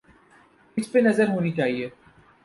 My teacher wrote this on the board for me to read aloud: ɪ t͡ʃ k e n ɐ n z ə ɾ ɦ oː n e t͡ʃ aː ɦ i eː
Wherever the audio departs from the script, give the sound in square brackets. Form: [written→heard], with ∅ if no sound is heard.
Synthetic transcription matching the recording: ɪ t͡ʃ [k→p] e n ɐ [n→∅] z ə ɾ ɦ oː n [e→i] t͡ʃ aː ɦ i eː